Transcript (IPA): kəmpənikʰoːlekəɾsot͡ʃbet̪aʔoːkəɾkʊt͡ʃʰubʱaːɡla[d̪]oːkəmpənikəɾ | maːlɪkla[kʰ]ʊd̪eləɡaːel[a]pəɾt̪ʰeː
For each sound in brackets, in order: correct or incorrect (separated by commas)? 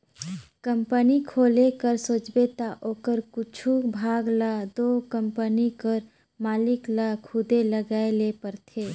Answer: correct, correct, incorrect